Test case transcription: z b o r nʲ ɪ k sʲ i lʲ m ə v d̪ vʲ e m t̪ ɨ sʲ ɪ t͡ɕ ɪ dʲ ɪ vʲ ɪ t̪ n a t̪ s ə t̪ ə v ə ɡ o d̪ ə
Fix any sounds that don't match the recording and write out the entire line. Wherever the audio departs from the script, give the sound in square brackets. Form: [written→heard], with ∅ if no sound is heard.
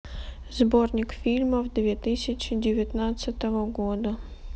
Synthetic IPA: z b o r nʲ ɪ k [sʲ→fʲ] i lʲ m ə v d̪ vʲ e [m→∅] t̪ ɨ sʲ ɪ t͡ɕ ɪ dʲ ɪ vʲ ɪ t̪ n a t̪ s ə t̪ ə v ə ɡ o d̪ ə